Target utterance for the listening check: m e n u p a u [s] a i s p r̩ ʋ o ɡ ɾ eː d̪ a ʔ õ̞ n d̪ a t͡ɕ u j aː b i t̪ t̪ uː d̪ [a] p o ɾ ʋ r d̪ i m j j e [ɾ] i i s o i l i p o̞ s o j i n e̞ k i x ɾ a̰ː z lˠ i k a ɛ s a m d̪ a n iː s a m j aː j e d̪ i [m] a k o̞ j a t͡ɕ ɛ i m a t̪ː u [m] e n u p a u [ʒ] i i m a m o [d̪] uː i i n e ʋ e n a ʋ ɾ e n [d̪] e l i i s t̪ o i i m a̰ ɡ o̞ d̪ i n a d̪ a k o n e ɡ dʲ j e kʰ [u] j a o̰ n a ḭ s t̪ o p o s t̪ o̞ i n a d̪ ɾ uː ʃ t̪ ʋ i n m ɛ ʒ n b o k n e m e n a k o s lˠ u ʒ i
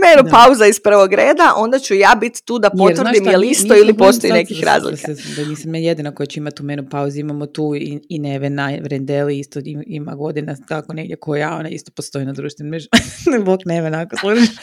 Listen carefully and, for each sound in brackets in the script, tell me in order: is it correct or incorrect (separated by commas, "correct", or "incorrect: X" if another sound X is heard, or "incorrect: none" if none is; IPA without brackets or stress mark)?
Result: incorrect: z, correct, incorrect: l, incorrect: n, correct, incorrect: z, incorrect: t̪, correct, incorrect: o